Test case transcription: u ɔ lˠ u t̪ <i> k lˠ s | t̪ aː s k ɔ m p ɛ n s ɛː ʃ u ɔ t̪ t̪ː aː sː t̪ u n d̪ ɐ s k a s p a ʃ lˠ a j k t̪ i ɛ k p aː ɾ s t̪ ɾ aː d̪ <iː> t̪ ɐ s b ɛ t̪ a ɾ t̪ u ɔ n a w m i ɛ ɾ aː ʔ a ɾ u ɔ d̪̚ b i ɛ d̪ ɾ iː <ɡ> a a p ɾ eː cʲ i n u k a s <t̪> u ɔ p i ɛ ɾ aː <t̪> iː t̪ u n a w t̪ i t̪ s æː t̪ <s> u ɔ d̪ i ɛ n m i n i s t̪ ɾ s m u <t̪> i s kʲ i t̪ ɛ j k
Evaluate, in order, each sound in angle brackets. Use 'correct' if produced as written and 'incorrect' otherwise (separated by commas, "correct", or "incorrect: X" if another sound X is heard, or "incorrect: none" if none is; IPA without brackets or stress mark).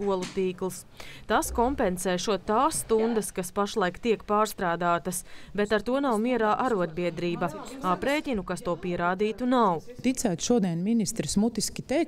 incorrect: iː, incorrect: aː, incorrect: b, correct, incorrect: d̪, incorrect: ʃ, correct